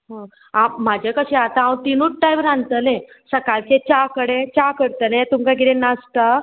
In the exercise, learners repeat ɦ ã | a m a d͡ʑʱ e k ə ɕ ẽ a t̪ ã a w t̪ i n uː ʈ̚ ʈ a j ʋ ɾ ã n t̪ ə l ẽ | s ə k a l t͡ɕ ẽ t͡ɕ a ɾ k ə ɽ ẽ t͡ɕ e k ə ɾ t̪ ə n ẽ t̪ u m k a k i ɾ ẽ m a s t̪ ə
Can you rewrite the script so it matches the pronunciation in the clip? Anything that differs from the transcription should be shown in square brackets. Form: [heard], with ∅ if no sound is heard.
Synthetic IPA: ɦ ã | a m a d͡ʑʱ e k ə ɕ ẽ a t̪ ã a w t̪ i n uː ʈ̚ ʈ a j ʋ ɾ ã n t̪ ə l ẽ | s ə k a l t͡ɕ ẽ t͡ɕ a [∅] k ə ɽ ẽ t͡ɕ [a] k ə ɾ t̪ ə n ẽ t̪ u m k a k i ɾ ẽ [n] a s t̪ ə